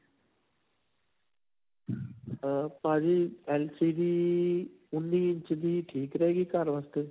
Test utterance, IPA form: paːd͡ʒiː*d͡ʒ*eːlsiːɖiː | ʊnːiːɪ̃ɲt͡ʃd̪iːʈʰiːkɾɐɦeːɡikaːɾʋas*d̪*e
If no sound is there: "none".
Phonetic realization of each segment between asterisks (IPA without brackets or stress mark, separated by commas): none, t̪